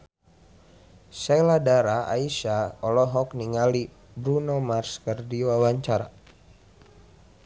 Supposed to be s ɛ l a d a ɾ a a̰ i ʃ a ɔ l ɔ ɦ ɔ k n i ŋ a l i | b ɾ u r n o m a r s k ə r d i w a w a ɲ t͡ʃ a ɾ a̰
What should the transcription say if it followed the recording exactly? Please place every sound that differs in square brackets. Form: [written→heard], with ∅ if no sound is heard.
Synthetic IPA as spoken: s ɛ l a d a ɾ a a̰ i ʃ a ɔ l ɔ ɦ ɔ k n i ŋ a l i | b ɾ u [r→∅] n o m a r s k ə r d i w a w a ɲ t͡ʃ a ɾ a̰